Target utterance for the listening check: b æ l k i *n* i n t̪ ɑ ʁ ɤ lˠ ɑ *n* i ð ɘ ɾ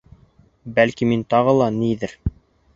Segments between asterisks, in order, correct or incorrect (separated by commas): incorrect, correct